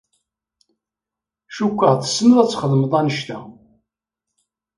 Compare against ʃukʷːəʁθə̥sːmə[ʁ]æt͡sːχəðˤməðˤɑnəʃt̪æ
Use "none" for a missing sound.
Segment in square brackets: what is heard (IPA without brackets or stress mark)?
ð